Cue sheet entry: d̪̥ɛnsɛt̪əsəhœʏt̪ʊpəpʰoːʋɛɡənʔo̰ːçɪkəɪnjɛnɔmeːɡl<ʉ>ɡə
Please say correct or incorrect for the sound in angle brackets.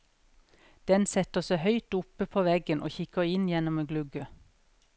correct